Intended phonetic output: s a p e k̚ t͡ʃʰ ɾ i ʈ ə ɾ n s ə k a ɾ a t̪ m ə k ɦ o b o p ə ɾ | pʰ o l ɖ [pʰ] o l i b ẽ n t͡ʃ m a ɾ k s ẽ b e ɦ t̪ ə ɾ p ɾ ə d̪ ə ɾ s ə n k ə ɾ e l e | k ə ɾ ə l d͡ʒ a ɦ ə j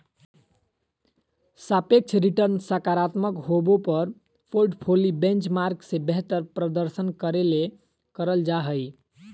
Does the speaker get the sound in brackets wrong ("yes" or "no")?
no